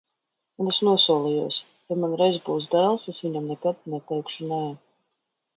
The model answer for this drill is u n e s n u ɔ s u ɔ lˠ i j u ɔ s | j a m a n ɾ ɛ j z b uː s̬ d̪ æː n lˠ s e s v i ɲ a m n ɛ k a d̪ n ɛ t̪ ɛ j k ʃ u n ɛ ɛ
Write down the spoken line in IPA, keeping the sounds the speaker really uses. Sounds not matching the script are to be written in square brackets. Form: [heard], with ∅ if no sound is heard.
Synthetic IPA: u n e s n u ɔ s u ɔ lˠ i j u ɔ s | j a m a n ɾ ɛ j z b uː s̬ d̪ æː [∅] lˠ s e s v i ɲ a m n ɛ k a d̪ n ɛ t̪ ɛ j k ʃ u n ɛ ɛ